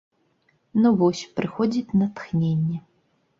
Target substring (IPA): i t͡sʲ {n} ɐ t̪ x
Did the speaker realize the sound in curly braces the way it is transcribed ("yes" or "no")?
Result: yes